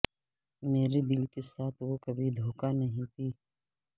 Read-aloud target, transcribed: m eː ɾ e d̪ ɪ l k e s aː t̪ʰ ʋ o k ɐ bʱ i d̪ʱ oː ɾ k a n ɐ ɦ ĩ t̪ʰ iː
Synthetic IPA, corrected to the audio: m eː ɾ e d̪ ɪ l k e s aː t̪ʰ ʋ o k ɐ bʱ i d̪ʱ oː k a n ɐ ɦ ĩ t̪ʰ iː